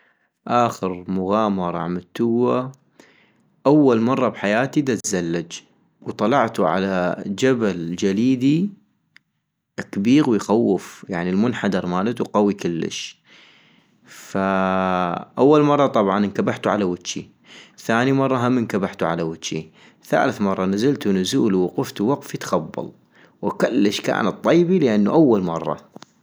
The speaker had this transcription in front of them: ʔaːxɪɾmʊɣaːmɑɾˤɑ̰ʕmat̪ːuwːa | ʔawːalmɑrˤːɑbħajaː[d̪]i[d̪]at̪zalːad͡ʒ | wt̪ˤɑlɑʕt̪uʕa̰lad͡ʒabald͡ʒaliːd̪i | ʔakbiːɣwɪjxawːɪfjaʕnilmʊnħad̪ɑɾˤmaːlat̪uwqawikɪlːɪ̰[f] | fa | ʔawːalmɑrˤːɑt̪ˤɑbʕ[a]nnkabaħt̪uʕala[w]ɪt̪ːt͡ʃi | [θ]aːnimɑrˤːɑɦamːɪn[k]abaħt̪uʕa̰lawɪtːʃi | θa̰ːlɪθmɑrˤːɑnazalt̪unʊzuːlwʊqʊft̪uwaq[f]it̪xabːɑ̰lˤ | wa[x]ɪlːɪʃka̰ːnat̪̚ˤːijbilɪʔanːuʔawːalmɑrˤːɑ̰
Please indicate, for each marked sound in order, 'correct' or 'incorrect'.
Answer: incorrect, correct, incorrect, incorrect, correct, correct, correct, correct, incorrect

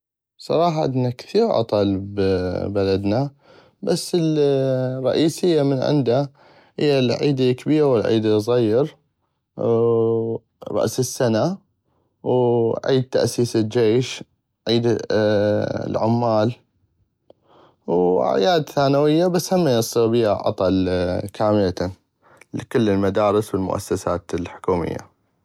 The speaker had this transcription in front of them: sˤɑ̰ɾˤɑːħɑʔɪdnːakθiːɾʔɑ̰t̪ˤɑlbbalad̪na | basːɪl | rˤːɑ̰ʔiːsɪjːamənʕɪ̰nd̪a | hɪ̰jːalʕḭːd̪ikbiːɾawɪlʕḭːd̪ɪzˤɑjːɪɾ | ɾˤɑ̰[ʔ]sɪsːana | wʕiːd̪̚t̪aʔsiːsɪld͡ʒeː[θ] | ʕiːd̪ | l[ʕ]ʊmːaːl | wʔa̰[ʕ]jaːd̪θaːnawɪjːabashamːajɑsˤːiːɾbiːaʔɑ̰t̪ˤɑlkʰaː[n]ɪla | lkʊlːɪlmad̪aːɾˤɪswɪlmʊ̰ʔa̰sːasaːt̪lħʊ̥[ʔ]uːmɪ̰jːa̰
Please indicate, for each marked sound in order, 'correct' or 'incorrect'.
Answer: correct, incorrect, correct, correct, incorrect, incorrect

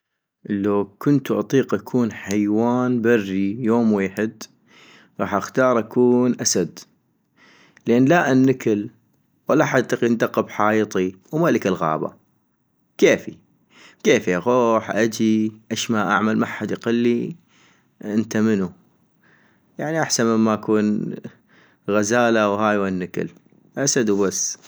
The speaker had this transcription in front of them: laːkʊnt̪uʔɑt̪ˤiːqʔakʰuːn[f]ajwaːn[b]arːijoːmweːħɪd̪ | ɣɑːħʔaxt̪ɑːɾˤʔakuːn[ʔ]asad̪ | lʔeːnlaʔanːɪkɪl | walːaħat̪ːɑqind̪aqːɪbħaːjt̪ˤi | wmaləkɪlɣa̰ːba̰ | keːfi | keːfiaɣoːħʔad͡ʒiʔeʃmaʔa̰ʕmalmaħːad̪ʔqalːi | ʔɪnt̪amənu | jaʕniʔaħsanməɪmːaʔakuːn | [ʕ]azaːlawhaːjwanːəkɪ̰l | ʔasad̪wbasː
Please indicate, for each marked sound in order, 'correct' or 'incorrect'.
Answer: incorrect, correct, correct, incorrect

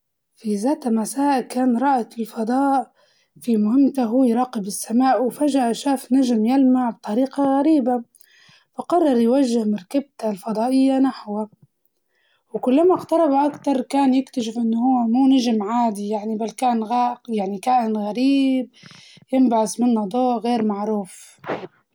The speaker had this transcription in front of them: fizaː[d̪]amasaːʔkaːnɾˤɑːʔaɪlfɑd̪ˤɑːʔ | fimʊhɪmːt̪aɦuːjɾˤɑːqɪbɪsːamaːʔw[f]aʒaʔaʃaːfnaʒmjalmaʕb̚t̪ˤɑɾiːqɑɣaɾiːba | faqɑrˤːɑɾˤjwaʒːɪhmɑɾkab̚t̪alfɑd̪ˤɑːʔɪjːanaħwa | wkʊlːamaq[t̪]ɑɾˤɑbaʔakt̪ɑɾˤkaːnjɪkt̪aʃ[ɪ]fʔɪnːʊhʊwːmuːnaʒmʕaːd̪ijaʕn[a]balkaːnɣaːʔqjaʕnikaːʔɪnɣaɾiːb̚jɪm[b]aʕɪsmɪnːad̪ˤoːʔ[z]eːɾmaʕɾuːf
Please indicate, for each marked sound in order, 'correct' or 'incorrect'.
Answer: incorrect, correct, correct, correct, incorrect, correct, incorrect

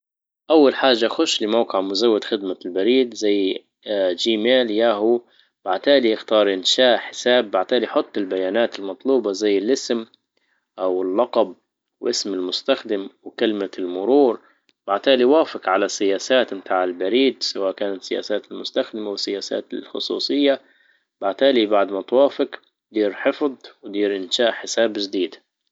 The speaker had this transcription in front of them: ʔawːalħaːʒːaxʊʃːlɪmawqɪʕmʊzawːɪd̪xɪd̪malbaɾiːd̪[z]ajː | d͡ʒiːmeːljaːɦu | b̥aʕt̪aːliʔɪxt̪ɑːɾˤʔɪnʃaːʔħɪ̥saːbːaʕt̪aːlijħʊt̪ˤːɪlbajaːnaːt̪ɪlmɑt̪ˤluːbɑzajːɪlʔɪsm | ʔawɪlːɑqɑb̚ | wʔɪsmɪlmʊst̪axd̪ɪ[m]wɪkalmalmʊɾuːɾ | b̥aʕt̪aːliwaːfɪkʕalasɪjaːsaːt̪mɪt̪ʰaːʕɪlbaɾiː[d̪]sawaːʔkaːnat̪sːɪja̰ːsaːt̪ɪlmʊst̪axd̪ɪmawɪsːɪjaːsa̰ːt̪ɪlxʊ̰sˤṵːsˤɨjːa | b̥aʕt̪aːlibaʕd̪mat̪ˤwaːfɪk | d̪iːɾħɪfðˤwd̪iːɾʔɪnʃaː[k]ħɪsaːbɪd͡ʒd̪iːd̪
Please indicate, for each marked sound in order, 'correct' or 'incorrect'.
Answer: correct, correct, correct, incorrect

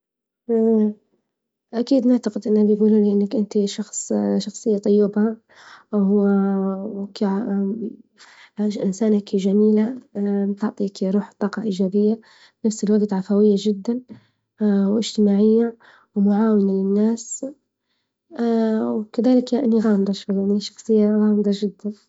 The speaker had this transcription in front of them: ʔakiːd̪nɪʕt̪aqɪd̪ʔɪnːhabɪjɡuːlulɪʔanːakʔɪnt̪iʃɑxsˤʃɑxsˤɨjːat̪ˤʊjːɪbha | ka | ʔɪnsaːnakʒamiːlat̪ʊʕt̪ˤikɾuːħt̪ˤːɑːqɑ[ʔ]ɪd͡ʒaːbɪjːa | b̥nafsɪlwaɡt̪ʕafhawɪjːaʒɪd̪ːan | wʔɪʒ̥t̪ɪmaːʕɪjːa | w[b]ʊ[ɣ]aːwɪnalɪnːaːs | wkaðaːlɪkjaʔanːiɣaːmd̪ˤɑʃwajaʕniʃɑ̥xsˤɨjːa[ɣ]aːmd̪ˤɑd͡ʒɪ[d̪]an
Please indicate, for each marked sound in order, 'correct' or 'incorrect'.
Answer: correct, incorrect, incorrect, correct, incorrect

